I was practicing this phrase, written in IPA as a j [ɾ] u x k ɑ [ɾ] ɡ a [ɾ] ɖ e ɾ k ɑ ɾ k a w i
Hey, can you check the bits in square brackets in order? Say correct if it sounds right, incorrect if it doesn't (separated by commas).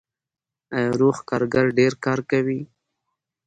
correct, correct, correct